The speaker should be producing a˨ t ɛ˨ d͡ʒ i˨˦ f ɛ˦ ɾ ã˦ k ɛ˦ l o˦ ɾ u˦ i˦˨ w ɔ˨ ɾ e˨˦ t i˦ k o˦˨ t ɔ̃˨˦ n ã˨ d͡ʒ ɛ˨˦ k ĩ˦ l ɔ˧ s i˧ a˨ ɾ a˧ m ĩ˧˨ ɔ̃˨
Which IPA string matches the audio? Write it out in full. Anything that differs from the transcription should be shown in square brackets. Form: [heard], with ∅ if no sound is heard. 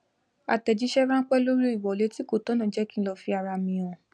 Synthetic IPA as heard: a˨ t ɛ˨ d͡ʒ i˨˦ [ʃ] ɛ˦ ɾ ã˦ [k͡p] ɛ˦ l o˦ ɾ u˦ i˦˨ w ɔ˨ [l] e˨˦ t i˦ k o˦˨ t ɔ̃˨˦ n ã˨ d͡ʒ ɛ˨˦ k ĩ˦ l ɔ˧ [f] i˧ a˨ ɾ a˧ m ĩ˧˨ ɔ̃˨